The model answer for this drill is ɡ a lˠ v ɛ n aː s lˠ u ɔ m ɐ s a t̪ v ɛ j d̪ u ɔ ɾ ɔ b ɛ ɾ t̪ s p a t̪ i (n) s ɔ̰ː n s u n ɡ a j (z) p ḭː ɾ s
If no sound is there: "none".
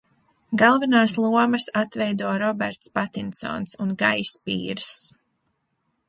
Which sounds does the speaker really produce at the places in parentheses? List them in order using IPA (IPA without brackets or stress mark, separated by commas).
n, s